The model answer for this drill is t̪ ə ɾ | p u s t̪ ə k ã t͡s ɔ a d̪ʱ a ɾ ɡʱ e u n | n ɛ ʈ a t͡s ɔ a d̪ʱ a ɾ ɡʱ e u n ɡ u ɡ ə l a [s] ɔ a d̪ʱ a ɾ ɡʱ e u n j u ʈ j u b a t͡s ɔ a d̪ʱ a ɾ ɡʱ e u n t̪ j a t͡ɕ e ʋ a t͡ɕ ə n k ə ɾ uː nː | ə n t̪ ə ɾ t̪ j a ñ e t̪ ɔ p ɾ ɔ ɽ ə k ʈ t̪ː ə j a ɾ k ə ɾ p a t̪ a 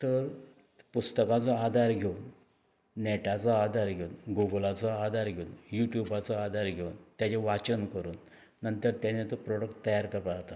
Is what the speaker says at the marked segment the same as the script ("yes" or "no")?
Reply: no